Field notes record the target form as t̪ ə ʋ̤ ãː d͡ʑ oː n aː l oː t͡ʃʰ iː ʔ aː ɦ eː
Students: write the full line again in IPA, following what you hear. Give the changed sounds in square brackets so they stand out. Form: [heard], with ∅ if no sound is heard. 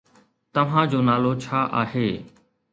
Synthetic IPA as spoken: t̪ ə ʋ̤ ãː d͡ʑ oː n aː l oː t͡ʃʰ [aː] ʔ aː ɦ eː